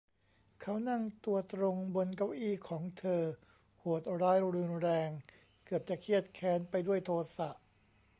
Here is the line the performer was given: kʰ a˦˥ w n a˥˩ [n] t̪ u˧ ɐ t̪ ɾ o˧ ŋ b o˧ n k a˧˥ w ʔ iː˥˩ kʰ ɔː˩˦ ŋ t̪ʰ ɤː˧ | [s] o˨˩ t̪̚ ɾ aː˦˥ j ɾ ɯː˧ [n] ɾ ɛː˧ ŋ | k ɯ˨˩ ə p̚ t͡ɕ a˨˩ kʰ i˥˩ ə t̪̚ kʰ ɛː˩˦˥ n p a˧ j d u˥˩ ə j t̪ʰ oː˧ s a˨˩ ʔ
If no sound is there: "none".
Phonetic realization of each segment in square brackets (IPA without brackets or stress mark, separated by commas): ŋ, h, n